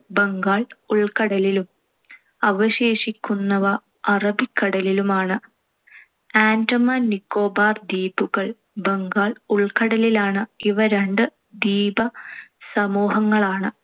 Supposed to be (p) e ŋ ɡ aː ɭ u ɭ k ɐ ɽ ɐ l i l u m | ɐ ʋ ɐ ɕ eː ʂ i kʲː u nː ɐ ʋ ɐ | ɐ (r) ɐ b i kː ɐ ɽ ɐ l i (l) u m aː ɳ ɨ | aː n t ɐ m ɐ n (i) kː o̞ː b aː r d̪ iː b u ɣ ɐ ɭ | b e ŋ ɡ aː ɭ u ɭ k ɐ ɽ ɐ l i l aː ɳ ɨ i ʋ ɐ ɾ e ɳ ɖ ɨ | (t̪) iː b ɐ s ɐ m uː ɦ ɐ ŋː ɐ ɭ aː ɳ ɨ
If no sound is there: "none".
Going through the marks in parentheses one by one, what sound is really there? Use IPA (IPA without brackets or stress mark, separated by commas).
b, r, l, i, d̪